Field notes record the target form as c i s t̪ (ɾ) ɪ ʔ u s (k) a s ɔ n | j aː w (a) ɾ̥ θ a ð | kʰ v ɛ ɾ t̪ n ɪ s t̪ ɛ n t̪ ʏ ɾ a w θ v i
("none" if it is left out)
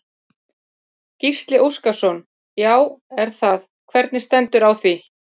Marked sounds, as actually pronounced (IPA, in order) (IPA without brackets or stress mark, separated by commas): l, k, ɛ